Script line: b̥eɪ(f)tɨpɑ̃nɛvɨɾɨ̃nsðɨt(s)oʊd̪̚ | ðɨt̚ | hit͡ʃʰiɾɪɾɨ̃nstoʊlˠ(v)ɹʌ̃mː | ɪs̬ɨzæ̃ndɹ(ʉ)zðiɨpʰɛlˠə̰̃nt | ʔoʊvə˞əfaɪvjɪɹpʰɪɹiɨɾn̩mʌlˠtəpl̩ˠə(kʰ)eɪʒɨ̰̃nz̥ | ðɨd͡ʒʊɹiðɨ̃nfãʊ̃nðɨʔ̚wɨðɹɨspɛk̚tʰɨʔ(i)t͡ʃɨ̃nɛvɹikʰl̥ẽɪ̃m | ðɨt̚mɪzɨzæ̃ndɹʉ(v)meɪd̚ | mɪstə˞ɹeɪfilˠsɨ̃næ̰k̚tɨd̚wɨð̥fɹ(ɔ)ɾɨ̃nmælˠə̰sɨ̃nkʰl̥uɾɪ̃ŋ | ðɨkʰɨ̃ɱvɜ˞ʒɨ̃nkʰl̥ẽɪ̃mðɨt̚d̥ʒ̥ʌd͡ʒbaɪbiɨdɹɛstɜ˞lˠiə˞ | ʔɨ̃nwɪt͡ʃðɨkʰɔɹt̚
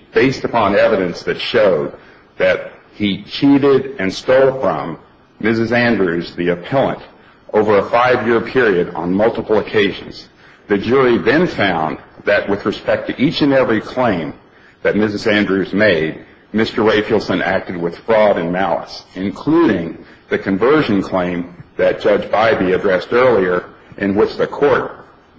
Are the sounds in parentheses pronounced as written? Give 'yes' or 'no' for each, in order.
no, no, no, yes, yes, yes, no, yes

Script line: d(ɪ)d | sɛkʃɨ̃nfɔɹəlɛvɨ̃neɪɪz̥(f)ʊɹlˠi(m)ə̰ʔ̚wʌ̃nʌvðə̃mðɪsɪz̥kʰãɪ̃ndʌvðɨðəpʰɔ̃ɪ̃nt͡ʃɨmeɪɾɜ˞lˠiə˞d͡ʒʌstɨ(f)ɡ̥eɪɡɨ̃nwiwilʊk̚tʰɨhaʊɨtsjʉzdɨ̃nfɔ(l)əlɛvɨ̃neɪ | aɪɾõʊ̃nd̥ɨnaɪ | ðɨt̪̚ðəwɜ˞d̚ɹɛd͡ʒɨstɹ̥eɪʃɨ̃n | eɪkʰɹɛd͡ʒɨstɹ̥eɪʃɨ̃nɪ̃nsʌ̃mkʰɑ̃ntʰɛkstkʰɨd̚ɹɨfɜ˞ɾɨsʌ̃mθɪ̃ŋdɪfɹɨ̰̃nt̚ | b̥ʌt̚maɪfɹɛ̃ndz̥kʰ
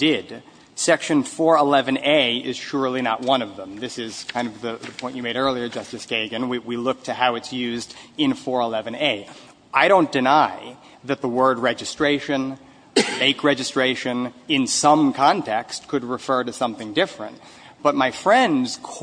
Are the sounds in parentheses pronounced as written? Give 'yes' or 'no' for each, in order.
yes, no, no, no, no

